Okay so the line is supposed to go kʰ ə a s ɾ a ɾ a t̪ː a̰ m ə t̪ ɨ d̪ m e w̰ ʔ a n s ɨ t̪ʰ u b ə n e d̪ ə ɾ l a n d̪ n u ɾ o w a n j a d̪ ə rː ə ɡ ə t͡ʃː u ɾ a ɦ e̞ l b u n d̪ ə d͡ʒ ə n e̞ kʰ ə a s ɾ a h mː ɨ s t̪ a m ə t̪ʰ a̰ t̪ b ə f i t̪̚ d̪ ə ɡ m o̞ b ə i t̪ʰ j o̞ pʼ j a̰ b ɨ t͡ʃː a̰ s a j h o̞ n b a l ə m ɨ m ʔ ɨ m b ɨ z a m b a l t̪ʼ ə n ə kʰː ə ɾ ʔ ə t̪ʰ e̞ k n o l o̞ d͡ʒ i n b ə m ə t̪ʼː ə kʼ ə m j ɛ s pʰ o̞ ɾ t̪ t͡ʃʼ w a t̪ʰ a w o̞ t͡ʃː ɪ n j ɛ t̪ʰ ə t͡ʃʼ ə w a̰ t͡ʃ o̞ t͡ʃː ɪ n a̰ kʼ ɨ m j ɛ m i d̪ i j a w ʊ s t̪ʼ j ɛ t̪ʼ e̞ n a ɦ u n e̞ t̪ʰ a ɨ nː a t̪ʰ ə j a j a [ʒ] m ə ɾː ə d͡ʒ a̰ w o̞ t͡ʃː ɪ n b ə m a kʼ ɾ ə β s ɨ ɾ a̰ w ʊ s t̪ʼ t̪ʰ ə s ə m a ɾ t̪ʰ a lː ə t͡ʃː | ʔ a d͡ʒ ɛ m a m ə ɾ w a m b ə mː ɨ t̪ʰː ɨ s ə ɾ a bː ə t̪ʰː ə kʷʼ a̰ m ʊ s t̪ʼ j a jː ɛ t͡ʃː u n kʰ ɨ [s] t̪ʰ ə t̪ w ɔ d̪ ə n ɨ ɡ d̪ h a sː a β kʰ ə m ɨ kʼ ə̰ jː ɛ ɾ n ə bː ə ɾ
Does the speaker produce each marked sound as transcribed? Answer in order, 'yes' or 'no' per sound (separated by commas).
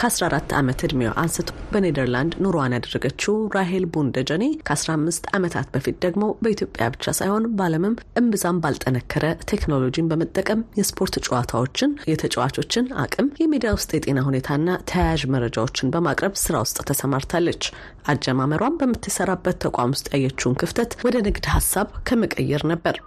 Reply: yes, no